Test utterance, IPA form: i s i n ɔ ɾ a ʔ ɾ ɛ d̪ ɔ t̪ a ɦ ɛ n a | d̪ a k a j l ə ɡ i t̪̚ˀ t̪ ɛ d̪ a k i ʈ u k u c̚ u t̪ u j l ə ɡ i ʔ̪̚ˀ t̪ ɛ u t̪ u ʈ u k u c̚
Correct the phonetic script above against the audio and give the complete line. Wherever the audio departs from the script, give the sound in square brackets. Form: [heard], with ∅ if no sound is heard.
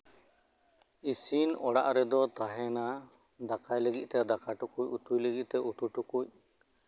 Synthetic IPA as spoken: i s i n ɔ [ɽ] a ʔ ɾ ɛ d̪ ɔ t̪ a ɦ ɛ n a | d̪ a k a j l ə ɡ i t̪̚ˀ t̪ ɛ d̪ a k [a] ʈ u k u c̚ u t̪ u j l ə ɡ i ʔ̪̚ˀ t̪ ɛ u t̪ u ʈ u k u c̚

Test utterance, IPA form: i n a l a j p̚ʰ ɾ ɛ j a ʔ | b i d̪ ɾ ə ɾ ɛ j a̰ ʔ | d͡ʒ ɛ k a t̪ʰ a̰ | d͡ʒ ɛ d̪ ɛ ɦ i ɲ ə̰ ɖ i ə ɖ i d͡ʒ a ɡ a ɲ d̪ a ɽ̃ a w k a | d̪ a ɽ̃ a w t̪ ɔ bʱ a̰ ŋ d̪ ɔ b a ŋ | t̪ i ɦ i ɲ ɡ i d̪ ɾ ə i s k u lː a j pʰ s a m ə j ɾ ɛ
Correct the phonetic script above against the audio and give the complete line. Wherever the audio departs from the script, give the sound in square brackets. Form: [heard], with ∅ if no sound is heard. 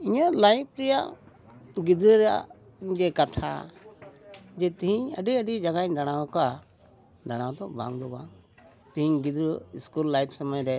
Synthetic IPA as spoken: i [ɲ] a l a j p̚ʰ ɾ ɛ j a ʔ | [ɡ] i d̪ ɾ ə ɾ ɛ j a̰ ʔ | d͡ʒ ɛ k a t̪ʰ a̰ | d͡ʒ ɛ [t̪] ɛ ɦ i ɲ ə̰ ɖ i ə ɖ i d͡ʒ a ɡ a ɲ d̪ a ɽ̃ a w k a | d̪ a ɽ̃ a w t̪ ɔ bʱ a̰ ŋ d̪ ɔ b a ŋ | t̪ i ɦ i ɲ ɡ i d̪ ɾ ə i s k u lː a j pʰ s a m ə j ɾ ɛ

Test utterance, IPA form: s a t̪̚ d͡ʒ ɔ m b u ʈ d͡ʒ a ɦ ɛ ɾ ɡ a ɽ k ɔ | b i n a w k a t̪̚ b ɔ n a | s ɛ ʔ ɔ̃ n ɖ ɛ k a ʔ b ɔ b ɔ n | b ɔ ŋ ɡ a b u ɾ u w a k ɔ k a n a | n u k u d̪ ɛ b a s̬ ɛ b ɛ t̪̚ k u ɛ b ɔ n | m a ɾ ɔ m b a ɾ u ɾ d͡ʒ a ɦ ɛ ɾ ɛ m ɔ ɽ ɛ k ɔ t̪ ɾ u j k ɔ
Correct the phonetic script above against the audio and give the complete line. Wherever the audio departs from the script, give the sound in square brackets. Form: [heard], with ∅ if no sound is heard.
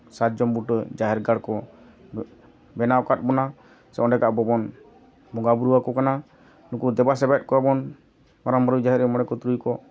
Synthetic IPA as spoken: s a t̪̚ d͡ʒ ɔ m b u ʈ d͡ʒ a ɦ ɛ ɾ ɡ a ɽ k ɔ | b [ɛ] n a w k a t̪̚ b ɔ n a | s ɛ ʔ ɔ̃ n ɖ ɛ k a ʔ b ɔ b ɔ n | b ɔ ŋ ɡ a b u ɾ u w a k ɔ k a n a | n u k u d̪ ɛ b a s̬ ɛ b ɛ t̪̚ k [ɔ] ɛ b ɔ n | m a ɾ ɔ m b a ɾ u [∅] d͡ʒ a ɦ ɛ ɾ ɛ m ɔ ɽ ɛ k ɔ t̪ ɾ u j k ɔ

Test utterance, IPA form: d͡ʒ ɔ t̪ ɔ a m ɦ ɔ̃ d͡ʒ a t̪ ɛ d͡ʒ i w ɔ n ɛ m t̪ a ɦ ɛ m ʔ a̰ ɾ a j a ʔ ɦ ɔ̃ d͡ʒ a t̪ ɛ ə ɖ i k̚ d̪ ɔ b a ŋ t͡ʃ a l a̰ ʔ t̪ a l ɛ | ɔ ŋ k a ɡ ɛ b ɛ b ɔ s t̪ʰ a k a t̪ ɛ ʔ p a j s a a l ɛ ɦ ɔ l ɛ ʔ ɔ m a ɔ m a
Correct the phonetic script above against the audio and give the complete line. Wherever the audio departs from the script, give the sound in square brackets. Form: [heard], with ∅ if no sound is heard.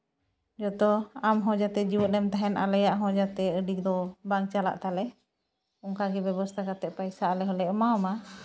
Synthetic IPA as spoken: d͡ʒ ɔ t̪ ɔ a m ɦ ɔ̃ d͡ʒ a t̪ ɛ d͡ʒ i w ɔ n ɛ m t̪ a ɦ ɛ [n] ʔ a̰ [l] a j a ʔ ɦ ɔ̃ d͡ʒ a t̪ ɛ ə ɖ i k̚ d̪ ɔ b a ŋ t͡ʃ a l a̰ ʔ t̪ a l ɛ | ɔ ŋ k a ɡ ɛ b ɛ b ɔ s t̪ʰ a k a t̪ ɛ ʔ p a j s a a l ɛ ɦ ɔ l ɛ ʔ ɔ m a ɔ m a

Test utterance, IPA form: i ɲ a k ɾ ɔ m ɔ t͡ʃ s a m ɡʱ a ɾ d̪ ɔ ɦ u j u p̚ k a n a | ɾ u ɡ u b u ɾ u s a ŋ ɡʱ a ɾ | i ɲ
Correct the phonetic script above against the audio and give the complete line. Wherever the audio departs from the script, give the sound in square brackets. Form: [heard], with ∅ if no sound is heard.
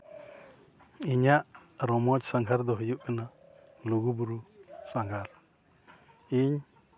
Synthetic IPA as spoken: i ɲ a [ʔ] ɾ ɔ m ɔ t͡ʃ s a [ŋ] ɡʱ a ɾ d̪ ɔ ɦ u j u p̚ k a n a | [l] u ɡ u b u ɾ u s a ŋ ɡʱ a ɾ | i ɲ

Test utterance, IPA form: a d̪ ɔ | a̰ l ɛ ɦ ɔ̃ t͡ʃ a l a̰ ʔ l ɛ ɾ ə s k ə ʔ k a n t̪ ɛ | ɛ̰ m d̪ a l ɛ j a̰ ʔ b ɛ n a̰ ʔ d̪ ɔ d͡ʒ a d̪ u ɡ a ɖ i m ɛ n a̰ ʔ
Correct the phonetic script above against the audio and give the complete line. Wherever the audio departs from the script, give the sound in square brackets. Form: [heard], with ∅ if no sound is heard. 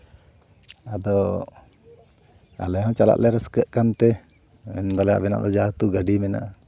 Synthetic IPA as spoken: a d̪ ɔ | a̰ l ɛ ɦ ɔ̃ t͡ʃ a l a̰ ʔ l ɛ ɾ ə s k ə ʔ k a n t̪ ɛ | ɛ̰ [n] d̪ a l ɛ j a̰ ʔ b ɛ n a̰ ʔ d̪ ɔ d͡ʒ a [t̪] u ɡ a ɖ i m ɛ n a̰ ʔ

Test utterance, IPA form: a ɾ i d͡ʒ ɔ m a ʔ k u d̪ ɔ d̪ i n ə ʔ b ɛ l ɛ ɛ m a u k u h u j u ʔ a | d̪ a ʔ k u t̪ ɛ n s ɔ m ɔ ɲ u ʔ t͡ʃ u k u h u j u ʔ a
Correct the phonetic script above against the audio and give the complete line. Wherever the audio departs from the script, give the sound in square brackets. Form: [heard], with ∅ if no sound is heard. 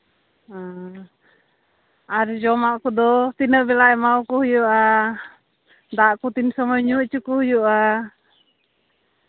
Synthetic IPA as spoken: a ɾ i d͡ʒ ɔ m a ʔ k u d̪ ɔ [t̪] i n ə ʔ b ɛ l [a] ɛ m a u k u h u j u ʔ a | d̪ a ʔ k u t̪ [i] n s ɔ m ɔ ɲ u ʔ t͡ʃ u k u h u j u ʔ a

